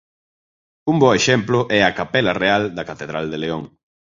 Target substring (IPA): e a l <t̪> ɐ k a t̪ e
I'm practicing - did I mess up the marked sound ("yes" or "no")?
yes